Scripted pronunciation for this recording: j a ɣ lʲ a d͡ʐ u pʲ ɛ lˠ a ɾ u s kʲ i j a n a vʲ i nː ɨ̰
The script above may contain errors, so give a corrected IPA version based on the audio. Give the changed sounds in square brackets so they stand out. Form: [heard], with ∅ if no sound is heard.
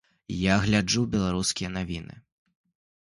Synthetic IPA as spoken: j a ɣ lʲ a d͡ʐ u [bʲ] ɛ lˠ a ɾ u s kʲ i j [ɐ] n a vʲ i [n] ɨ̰

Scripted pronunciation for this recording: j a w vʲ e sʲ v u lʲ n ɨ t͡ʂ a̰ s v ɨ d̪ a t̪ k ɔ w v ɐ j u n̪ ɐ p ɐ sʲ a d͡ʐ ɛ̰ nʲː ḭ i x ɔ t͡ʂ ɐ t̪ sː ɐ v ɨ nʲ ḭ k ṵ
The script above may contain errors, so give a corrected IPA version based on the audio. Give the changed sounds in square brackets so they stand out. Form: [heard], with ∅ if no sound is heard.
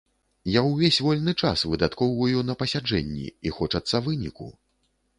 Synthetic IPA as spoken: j a w vʲ e sʲ v [ɔ] lʲ n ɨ t͡ʂ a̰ s v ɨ d̪ a t̪ k ɔ w v ɐ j u n̪ ɐ p ɐ sʲ a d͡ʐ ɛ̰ nʲː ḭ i x ɔ t͡ʂ ɐ t̪ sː ɐ v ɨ nʲ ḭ k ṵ

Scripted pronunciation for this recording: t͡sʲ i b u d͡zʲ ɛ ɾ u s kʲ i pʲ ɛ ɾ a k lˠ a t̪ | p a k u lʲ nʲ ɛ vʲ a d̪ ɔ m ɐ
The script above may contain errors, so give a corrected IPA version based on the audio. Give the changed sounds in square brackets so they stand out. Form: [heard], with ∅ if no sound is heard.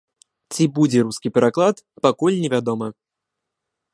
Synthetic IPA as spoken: t͡sʲ i b u d͡zʲ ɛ ɾ u s kʲ i pʲ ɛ ɾ a k lˠ a t̪ | p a k u lʲ nʲ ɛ vʲ a d̪ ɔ m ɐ

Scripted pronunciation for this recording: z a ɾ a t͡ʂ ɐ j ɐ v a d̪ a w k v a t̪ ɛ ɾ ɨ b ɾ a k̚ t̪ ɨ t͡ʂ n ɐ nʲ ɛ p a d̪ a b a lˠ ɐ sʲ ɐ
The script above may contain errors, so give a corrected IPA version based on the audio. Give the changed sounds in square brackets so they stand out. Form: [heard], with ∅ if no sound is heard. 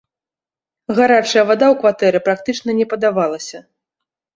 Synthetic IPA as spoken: [ɣ] a ɾ a t͡ʂ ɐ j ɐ v a d̪ a w k v a t̪ ɛ ɾ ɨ [p] ɾ a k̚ t̪ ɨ t͡ʂ n ɐ nʲ ɛ p [ɐ] d̪ a [v] a lˠ ɐ sʲ ɐ

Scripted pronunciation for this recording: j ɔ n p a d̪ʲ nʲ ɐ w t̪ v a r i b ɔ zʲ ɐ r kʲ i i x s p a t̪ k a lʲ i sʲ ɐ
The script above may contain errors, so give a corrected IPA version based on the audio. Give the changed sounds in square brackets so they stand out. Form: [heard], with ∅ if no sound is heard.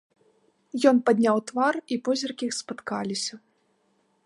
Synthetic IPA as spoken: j ɔ n p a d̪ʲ nʲ [a] w t̪ v a r i [p] ɔ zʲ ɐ r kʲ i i x s p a t̪ k a lʲ i sʲ ɐ

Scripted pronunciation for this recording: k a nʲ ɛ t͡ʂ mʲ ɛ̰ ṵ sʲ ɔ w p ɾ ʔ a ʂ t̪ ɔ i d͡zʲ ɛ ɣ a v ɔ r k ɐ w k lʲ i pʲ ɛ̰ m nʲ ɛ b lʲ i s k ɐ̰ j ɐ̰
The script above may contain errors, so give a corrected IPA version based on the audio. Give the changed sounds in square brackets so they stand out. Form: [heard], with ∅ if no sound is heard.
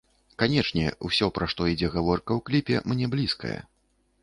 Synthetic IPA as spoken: k a nʲ ɛ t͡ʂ [nʲ] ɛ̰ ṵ sʲ ɔ [∅] p ɾ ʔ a ʂ t̪ ɔ i d͡zʲ ɛ ɣ a v ɔ r k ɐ w k lʲ i pʲ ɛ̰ m nʲ ɛ b lʲ i s k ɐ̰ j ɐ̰

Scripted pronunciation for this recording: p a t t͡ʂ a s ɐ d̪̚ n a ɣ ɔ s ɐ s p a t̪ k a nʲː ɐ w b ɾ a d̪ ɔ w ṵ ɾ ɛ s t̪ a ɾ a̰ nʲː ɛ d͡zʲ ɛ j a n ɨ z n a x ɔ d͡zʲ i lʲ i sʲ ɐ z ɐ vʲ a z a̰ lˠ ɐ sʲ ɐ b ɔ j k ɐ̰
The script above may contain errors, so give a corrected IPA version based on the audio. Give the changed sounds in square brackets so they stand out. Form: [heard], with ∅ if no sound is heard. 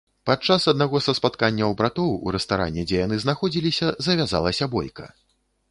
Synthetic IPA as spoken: p a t t͡ʂ a s ɐ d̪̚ n a ɣ ɔ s ɐ s p a t̪ k a nʲː ɐ w b ɾ a [t̪] ɔ w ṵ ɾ ɛ s t̪ a ɾ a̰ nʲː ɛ d͡zʲ ɛ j a n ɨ z n a x ɔ d͡zʲ i lʲ i sʲ ɐ z ɐ vʲ a z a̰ lˠ ɐ sʲ ɐ b ɔ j k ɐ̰

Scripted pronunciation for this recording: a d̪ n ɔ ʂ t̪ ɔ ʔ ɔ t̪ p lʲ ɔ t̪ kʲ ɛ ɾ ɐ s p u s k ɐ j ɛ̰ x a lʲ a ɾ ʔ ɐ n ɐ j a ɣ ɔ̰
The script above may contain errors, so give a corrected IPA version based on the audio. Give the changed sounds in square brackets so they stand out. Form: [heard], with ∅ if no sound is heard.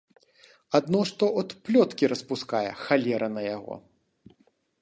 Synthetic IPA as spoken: a d̪ n ɔ ʂ t̪ ɔ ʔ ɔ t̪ p lʲ ɔ t̪ kʲ [i] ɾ ɐ s p u s k [a] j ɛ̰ x a lʲ [ɛ] ɾ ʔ ɐ n ɐ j a ɣ ɔ̰

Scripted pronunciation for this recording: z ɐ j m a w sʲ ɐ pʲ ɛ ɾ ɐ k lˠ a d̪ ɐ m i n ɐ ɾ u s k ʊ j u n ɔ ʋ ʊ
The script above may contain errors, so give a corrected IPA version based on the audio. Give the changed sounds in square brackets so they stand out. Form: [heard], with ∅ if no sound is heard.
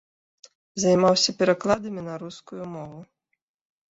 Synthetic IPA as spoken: z ɐ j m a w sʲ ɐ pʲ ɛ ɾ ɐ k lˠ a d̪ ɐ m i n ɐ ɾ u s k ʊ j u [m] ɔ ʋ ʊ

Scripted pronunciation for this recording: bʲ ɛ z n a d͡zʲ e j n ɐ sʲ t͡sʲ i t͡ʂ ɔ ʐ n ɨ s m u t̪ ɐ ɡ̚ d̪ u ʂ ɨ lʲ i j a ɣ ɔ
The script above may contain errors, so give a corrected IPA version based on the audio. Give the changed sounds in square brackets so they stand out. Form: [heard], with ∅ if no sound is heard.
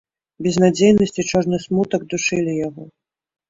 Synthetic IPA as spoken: bʲ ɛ z n a d͡zʲ e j n ɐ sʲ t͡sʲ i t͡ʂ ɔ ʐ n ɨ s m u t̪ ɐ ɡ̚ d̪ u ʂ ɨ lʲ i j a ɣ ɔ

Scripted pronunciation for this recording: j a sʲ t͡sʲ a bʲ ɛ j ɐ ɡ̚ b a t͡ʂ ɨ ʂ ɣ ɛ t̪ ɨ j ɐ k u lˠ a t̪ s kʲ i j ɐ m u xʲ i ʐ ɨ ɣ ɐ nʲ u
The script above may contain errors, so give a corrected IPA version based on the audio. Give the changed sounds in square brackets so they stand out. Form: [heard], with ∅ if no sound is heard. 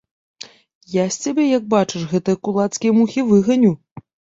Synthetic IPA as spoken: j a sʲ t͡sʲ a bʲ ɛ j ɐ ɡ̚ b a t͡ʂ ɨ ʂ ɣ ɛ t̪ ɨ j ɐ k u lˠ a t̪ s kʲ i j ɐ m u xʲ i [v] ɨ ɣ ɐ nʲ u

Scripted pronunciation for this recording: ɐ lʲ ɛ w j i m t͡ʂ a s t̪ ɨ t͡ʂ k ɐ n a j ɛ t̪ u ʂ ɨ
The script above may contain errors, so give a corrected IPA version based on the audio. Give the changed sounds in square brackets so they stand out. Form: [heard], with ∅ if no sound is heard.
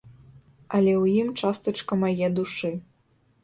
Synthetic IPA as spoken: ɐ lʲ ɛ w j i m t͡ʂ a s t̪ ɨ t͡ʂ k ɐ [m] a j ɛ [d̪] u ʂ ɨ

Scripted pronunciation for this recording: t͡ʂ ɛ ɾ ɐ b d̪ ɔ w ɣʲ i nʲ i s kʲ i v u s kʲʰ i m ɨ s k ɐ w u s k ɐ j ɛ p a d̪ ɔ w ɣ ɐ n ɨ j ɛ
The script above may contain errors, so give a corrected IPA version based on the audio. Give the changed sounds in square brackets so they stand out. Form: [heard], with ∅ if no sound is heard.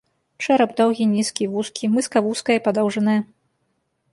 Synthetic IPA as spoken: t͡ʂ ɛ ɾ ɐ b d̪ ɔ w ɣʲ i nʲ i s kʲ i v u s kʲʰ i m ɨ s k ɐ [v] u s k ɐ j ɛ p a d̪ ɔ w [ʐ] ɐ n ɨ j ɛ

